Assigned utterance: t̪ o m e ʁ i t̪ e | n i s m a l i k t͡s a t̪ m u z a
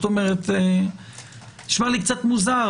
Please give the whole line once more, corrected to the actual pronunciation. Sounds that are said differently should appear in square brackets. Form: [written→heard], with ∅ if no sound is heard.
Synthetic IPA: t̪ o m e ʁ [i→e] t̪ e | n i [s→ʃ] m a l i k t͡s a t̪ m u z a